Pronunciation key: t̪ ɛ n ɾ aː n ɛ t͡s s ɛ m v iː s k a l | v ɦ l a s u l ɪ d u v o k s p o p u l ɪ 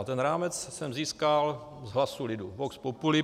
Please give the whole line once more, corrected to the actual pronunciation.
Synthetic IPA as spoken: t̪ ɛ n ɾ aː m ɛ t͡s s ɛ m z iː s k a l | z ɦ l a s u l ɪ d u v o k s p o p u l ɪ